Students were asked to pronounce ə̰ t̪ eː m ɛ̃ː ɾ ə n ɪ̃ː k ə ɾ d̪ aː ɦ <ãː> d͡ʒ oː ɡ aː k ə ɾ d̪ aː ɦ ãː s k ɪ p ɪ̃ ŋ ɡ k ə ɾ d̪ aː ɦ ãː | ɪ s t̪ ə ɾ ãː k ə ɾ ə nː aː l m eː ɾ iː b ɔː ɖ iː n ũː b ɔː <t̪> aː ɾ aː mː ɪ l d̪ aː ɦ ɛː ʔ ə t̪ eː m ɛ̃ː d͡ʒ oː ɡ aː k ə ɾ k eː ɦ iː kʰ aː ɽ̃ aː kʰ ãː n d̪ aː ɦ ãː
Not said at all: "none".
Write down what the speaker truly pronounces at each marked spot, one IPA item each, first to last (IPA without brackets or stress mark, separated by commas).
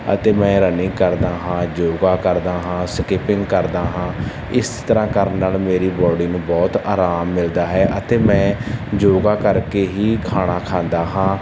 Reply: ãː, t̪